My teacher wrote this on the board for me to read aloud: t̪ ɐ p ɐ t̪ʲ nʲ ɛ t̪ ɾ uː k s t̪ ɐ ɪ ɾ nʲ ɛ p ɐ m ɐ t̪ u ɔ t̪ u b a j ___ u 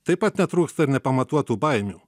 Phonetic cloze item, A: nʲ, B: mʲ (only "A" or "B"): B